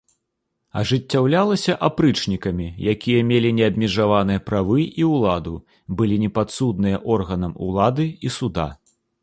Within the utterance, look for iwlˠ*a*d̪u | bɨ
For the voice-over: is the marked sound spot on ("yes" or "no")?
yes